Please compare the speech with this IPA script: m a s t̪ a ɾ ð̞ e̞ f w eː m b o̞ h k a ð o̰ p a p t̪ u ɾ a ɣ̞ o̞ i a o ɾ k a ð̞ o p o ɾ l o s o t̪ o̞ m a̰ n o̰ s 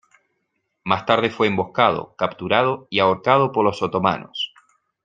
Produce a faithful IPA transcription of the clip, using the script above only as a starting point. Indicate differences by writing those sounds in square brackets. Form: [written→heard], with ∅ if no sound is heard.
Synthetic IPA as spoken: m a s t̪ a ɾ ð̞ e̞ f w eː m b o̞ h k a ð o̰ [p→k] a p t̪ u ɾ a [ɣ̞→ð̞] o̞ i a o ɾ k a ð̞ o p o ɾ l o s o t̪ o̞ m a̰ n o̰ s